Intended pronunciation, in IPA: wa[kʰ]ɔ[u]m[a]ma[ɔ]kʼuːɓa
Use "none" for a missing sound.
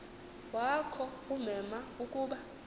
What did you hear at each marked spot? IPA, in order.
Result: kʰ, u, ɛ, u

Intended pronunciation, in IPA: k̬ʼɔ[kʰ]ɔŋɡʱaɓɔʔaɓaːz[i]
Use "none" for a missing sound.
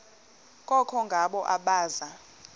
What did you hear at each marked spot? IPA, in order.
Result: kʰ, a

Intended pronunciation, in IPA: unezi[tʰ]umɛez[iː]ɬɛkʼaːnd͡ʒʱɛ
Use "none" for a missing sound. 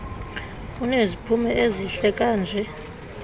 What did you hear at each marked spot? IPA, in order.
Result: pʰ, i

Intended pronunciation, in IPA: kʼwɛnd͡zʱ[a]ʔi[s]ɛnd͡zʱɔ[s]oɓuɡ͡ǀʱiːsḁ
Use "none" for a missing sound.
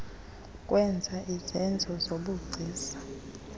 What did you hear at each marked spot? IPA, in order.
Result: a, z, z

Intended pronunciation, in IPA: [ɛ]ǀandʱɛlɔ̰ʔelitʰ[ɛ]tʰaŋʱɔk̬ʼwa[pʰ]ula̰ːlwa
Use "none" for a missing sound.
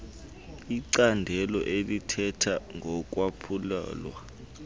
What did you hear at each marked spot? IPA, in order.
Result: i, ɛ, pʰ

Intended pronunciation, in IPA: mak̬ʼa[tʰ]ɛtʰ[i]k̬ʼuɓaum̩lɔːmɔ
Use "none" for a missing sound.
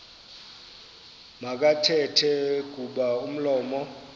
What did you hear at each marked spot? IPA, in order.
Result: tʰ, ɛ

